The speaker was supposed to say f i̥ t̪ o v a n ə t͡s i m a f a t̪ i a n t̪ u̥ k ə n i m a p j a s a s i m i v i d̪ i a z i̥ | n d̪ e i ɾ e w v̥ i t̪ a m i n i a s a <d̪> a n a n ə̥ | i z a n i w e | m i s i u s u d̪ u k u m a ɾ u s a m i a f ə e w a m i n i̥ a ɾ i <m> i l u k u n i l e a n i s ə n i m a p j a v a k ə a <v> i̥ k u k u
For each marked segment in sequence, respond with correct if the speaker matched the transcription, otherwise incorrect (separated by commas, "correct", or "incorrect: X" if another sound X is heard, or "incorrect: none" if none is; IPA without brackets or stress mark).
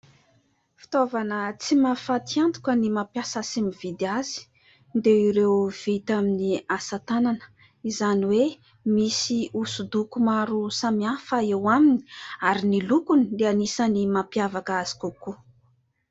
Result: incorrect: t̪, incorrect: n, incorrect: z